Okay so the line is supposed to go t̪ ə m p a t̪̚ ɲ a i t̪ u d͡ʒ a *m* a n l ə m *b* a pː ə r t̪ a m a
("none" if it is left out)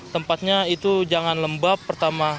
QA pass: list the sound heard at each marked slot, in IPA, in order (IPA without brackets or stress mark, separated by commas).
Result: ŋ, b